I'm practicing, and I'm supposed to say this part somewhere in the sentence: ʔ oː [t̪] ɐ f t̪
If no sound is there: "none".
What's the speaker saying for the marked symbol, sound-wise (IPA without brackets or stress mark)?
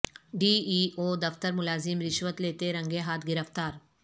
d̪